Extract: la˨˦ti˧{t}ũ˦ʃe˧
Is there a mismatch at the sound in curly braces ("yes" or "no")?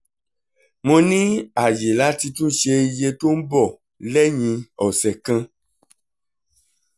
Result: no